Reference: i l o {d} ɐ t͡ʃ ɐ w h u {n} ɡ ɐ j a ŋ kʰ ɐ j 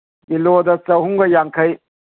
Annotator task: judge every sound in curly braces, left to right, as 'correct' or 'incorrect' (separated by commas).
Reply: correct, incorrect